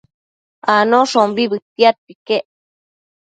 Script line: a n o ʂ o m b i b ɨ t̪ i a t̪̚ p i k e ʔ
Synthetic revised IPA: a n o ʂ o m b i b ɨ t̪ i a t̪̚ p i k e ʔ